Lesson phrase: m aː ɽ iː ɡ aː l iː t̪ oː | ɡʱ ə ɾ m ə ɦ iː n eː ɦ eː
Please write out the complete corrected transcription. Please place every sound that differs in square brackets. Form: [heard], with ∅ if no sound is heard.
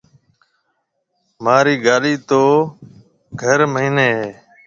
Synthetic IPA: m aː [ɾ] iː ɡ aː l iː t̪ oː | ɡʱ ə ɾ m ə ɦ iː n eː ɦ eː